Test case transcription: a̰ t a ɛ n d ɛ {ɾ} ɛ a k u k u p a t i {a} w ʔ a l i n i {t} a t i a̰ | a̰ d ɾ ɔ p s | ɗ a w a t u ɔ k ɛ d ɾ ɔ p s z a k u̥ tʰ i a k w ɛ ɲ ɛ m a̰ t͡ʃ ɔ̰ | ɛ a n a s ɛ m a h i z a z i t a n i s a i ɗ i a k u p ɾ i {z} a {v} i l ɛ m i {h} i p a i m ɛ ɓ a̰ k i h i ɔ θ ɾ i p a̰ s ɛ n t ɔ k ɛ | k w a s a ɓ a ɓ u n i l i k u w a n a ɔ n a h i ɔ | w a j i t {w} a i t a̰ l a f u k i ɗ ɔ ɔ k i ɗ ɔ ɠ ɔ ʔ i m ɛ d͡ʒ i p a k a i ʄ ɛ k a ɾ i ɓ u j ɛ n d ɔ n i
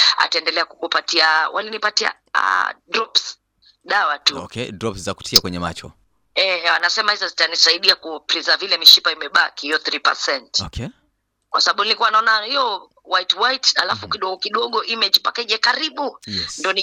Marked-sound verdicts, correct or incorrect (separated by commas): incorrect, correct, incorrect, correct, correct, incorrect, correct